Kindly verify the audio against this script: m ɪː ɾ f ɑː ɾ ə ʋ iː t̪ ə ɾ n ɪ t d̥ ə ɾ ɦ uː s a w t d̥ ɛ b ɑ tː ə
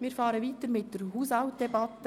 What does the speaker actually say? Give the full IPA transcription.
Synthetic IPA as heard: m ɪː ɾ f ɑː ɾ ə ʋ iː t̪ ə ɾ m ɪ t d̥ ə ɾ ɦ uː s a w t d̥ ɛ b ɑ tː ə